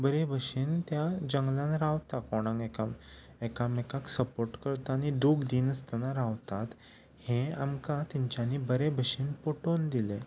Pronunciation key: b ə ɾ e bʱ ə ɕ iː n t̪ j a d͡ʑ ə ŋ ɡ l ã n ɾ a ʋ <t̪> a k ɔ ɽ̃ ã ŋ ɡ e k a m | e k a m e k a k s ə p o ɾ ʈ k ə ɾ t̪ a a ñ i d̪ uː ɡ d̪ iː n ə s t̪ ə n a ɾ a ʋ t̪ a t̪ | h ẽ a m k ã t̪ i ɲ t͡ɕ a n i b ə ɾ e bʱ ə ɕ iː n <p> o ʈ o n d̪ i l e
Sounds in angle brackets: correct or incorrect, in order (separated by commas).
correct, correct